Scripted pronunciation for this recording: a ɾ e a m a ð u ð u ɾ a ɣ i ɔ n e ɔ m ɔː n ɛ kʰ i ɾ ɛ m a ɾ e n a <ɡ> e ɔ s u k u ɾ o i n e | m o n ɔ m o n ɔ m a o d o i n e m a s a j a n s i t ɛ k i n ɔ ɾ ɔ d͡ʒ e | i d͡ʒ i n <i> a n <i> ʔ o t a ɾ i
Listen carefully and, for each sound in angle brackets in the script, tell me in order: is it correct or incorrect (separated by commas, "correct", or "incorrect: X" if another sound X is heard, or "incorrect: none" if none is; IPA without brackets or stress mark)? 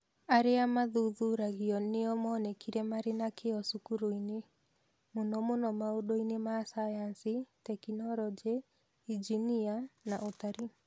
incorrect: k, correct, incorrect: a